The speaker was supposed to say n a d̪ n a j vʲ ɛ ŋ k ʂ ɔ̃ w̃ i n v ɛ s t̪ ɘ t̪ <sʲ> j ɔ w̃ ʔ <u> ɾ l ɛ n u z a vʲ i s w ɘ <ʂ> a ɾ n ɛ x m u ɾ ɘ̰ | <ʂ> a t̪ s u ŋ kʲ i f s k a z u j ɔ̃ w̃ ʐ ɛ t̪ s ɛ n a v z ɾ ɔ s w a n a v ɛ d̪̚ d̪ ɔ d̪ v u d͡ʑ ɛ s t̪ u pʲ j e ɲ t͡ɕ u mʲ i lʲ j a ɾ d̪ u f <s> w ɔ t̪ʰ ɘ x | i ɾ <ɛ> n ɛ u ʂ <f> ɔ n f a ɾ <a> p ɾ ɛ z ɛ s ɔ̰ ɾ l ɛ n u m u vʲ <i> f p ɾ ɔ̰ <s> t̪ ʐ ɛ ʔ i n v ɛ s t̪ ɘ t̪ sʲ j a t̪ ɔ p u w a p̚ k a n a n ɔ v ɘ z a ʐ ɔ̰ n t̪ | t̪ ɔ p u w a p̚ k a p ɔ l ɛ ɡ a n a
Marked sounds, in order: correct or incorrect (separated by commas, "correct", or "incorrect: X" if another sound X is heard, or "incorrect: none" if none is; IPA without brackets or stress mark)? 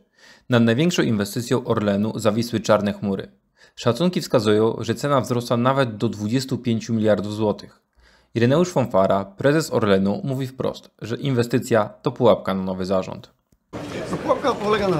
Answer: correct, incorrect: ɔ, incorrect: t͡ʂ, correct, incorrect: z, correct, correct, correct, correct, correct